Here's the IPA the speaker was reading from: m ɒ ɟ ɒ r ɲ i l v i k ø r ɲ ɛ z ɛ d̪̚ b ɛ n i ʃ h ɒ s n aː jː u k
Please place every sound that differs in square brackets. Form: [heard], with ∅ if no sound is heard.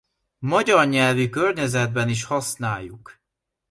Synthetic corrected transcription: m ɒ ɟ ɒ r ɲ [ɛ] l v i k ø r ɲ ɛ z ɛ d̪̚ b ɛ n i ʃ h ɒ s n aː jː u k